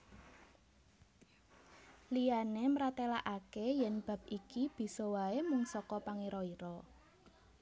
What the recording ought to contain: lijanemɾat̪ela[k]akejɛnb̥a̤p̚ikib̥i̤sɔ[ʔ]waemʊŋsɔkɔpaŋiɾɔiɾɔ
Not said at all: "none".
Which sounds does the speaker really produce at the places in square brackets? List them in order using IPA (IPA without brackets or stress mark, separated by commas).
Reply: ʔ, none